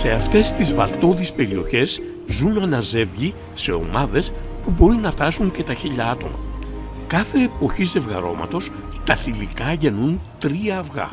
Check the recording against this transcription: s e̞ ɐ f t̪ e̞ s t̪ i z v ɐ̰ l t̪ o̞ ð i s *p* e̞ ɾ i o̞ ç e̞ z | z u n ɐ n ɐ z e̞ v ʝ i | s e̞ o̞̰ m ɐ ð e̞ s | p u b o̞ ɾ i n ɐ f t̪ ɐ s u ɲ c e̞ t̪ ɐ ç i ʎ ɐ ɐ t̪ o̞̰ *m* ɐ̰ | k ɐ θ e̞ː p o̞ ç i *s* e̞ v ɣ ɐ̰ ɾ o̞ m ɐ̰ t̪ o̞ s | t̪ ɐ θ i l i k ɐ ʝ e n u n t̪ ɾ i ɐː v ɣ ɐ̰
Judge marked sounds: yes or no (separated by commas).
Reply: yes, yes, no